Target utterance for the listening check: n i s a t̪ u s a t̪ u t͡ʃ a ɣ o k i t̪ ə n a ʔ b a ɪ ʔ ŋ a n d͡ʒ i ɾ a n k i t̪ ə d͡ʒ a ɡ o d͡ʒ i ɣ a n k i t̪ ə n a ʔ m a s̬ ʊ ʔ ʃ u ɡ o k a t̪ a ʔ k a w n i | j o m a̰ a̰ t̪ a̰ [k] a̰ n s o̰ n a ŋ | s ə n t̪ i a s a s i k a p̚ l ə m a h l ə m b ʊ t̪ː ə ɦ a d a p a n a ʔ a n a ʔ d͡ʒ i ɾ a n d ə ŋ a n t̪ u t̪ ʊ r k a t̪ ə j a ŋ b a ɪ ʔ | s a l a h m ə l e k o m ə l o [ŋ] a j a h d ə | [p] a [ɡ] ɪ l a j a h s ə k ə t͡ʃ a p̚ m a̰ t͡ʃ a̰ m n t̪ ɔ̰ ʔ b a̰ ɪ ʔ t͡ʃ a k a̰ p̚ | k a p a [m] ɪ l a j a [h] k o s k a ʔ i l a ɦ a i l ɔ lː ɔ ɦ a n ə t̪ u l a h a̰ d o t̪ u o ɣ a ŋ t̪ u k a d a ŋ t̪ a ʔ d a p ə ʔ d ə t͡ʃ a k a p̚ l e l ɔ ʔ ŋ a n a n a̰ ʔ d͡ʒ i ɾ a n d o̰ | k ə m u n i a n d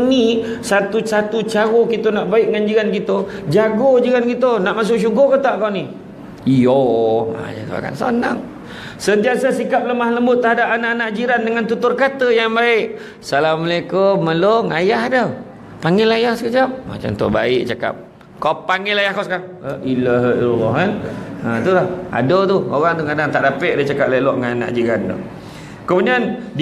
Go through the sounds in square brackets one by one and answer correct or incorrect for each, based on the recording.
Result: correct, correct, correct, incorrect: ŋ, incorrect: ŋ, correct

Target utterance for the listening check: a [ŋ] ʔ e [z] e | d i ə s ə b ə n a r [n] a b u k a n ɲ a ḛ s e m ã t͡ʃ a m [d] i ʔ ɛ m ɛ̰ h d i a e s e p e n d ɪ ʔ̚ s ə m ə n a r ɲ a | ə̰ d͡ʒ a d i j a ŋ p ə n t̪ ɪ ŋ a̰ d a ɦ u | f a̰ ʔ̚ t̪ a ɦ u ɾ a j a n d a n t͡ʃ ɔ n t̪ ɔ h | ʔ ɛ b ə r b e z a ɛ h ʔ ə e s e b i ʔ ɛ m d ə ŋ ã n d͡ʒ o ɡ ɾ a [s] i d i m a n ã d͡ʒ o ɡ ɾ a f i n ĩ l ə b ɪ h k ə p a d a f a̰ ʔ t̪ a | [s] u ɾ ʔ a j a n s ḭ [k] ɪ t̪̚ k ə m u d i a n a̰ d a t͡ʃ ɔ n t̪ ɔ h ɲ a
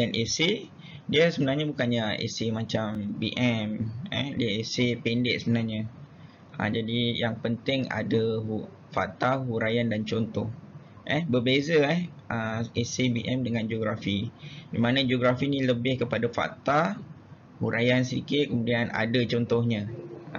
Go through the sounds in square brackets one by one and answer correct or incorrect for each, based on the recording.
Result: incorrect: n, incorrect: s, incorrect: ɲ, incorrect: b, incorrect: f, incorrect: h, correct

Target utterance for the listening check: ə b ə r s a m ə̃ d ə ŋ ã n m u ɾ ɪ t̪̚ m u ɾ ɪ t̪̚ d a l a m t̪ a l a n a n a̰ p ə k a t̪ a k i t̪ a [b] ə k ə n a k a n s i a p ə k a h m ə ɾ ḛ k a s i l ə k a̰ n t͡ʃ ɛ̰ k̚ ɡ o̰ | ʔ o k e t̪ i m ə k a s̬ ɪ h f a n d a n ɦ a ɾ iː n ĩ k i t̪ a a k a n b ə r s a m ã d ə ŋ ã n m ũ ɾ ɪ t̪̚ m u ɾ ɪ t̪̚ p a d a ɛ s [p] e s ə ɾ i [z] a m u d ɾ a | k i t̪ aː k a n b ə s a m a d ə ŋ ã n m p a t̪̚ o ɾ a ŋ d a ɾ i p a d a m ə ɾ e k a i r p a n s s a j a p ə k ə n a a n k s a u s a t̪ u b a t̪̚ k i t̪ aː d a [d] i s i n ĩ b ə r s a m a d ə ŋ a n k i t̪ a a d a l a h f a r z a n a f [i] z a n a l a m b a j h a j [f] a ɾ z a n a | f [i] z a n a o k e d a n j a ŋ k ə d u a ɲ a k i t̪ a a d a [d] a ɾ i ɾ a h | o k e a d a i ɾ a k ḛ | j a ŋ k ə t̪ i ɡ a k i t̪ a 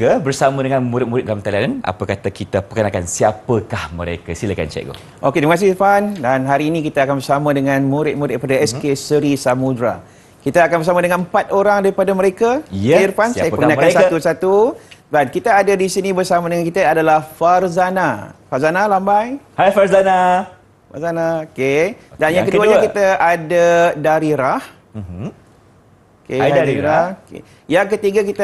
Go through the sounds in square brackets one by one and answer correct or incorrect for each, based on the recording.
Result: incorrect: p, incorrect: k, incorrect: s, correct, incorrect: a, correct, incorrect: a, correct

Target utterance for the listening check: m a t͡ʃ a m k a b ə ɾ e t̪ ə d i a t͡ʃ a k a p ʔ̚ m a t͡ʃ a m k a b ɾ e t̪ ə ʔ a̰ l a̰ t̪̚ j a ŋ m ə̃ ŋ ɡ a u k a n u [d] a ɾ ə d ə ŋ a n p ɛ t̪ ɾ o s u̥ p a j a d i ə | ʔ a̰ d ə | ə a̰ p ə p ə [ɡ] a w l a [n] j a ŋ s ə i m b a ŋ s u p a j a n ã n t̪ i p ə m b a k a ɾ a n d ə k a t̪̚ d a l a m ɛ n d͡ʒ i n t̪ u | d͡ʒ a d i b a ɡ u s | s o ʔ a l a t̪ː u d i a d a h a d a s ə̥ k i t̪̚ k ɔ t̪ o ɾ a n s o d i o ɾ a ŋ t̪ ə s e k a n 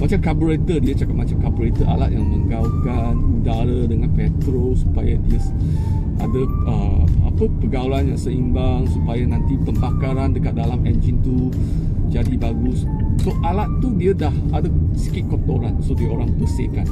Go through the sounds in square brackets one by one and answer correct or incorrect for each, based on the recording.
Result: correct, correct, correct

